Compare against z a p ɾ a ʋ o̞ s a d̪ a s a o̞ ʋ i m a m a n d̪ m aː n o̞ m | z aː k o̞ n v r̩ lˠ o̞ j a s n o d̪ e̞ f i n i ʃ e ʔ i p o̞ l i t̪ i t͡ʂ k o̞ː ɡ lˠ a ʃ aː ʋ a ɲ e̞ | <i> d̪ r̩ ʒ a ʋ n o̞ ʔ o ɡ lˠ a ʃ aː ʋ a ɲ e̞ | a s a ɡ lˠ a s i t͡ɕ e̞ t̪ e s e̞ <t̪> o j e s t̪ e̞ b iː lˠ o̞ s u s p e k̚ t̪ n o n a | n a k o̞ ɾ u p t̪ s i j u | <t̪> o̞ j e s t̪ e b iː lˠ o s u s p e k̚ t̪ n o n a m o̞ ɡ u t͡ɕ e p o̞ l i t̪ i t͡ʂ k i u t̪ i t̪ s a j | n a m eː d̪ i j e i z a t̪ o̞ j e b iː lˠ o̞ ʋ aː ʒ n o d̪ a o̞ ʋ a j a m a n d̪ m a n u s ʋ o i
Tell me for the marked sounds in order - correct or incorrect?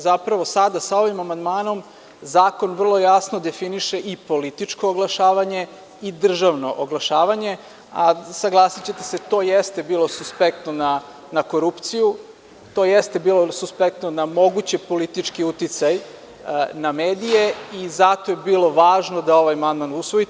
correct, correct, correct

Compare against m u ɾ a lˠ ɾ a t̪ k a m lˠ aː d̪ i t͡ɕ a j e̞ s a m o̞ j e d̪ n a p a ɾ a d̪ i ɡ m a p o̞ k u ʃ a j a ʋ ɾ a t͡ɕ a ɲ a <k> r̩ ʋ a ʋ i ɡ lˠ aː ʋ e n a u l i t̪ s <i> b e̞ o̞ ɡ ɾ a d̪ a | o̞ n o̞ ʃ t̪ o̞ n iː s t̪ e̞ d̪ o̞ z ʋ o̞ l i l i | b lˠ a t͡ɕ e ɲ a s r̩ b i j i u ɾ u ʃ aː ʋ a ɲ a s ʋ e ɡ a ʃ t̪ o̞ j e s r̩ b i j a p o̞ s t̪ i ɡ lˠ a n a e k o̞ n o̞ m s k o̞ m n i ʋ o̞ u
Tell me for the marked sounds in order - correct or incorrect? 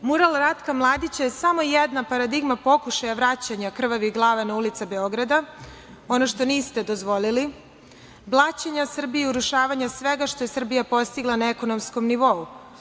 correct, incorrect: a

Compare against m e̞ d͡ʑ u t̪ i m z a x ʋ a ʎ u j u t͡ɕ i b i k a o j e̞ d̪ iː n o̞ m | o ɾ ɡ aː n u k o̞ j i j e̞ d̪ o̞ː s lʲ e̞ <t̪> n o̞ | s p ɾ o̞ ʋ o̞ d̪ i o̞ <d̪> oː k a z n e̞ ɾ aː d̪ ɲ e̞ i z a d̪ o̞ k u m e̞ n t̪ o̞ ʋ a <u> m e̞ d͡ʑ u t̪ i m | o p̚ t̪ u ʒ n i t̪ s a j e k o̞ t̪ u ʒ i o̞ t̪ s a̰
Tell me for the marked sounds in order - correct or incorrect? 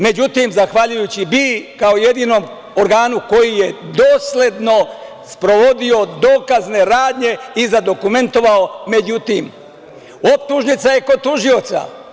incorrect: d̪, correct, incorrect: o

